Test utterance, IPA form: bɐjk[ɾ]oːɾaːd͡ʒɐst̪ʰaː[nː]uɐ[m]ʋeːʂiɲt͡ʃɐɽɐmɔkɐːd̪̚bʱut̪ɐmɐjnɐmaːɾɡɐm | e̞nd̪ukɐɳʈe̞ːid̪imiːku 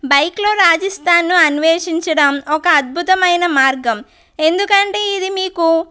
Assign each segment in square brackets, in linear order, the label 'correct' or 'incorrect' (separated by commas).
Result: incorrect, correct, incorrect